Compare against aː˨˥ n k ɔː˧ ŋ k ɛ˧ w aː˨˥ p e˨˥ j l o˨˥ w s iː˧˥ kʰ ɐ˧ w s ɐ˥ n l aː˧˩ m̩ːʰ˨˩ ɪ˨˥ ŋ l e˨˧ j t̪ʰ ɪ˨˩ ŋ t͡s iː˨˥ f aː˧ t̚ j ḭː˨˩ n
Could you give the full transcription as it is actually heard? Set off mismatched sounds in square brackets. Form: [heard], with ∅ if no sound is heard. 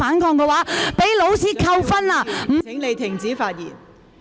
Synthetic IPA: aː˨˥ n k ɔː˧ ŋ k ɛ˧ w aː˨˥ p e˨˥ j l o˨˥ w s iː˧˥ kʰ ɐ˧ w [f] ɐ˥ n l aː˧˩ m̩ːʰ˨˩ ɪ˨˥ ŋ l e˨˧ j t̪ʰ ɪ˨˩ ŋ t͡s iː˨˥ f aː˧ t̚ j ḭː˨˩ n